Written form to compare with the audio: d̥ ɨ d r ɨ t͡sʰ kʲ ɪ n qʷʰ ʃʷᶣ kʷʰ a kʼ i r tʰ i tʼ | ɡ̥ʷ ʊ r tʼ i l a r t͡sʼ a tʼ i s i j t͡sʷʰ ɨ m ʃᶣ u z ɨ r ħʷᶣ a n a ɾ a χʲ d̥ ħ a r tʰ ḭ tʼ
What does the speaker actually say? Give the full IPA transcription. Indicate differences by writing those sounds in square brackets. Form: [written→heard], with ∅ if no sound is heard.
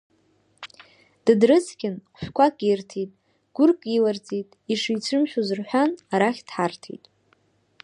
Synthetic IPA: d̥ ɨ d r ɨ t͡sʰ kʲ ɪ n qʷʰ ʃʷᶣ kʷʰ a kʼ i r tʰ i tʼ | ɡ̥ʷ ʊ r [tʼ→kʼ] i l a r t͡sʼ [a→i] tʼ i [s→ʂ] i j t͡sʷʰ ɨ m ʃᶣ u z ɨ r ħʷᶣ a n a ɾ a χʲ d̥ ħ a r tʰ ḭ tʼ